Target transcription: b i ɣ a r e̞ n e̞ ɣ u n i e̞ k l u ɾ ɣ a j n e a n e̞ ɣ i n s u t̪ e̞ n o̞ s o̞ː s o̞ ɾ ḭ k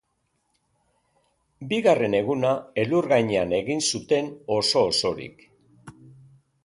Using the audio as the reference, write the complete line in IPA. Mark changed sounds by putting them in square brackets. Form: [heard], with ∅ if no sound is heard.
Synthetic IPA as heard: b i ɣ a r e̞ n e̞ ɣ u n [a] e̞ [∅] l u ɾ ɣ a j [ɲ] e a n e̞ ɣ i n s u t̪ e̞ n o̞ s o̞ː s o̞ ɾ ḭ k